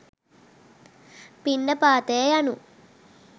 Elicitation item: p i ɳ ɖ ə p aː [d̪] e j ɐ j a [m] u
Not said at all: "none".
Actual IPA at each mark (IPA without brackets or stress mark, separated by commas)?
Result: t̪, n